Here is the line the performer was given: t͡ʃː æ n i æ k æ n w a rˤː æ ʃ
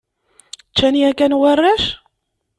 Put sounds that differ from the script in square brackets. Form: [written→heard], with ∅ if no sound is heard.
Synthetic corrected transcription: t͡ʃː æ n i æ k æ n w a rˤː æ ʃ